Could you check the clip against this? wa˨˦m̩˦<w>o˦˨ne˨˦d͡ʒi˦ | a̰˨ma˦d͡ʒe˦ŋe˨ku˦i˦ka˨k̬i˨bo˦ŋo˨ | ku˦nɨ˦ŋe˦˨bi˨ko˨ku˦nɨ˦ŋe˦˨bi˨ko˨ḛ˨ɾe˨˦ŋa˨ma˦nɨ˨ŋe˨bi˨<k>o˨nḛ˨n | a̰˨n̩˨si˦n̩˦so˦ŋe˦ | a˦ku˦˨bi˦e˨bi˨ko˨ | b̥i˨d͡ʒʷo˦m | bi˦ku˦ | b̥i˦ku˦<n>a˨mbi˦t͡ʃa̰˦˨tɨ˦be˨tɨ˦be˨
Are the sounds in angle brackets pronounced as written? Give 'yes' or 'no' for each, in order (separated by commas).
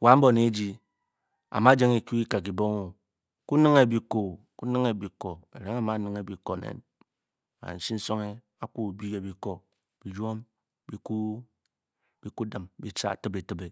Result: no, yes, no